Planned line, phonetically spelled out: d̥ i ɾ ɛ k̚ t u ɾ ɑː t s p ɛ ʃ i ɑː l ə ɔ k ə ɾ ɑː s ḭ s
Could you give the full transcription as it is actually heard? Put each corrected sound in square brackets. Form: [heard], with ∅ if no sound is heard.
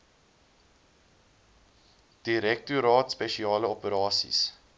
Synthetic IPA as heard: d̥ i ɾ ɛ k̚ t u ɾ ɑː t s p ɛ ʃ i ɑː l ə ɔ [p] ə ɾ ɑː s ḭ s